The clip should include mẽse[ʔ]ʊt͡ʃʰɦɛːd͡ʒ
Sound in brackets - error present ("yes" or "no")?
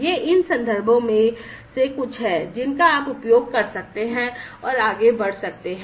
yes